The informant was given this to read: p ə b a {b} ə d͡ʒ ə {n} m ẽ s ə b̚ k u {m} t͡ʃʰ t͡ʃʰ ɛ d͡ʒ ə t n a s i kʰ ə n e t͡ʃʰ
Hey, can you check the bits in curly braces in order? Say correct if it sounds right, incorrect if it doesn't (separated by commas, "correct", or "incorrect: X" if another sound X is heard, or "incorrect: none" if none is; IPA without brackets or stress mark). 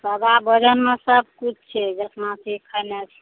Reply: correct, correct, incorrect: none